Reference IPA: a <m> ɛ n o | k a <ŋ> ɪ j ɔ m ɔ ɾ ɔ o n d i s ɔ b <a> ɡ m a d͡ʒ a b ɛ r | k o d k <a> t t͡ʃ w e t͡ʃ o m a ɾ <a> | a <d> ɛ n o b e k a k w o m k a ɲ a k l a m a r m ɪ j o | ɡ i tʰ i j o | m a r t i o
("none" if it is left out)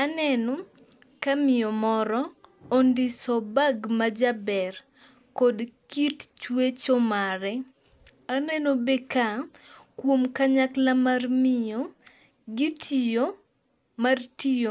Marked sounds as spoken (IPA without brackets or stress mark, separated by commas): n, m, a, i, ɛ, n